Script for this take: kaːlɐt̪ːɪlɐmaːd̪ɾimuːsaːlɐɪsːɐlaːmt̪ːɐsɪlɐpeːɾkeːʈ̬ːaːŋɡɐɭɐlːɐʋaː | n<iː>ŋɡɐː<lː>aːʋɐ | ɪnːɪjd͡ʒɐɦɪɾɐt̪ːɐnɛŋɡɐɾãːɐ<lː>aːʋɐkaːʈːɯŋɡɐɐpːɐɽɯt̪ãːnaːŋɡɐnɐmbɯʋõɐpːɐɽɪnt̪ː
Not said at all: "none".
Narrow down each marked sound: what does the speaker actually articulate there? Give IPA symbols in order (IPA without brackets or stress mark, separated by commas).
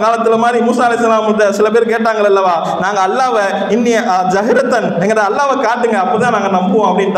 aː, lː, lː